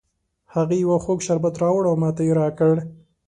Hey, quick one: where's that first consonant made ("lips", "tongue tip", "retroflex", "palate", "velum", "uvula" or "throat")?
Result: throat